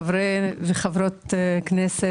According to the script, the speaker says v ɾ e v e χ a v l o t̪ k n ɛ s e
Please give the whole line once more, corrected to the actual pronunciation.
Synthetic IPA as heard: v ɾ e v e χ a v ɾ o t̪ k n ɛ s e